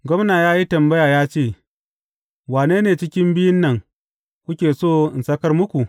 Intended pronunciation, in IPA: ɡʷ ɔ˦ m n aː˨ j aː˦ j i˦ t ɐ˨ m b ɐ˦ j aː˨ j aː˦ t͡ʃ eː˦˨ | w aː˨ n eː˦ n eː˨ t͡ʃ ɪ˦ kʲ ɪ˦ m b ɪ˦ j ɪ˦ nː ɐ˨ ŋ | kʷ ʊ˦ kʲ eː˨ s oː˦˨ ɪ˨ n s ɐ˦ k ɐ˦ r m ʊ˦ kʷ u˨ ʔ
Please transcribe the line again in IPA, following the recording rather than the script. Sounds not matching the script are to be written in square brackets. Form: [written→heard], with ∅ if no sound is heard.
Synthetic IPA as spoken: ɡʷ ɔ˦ m n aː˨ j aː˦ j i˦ t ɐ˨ m b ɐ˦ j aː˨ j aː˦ t͡ʃ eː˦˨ | w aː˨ n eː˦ n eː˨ t͡ʃ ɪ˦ kʲ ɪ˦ m b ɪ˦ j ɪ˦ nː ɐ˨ ŋ | kʷ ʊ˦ kʲ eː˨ s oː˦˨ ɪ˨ n s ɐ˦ k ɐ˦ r m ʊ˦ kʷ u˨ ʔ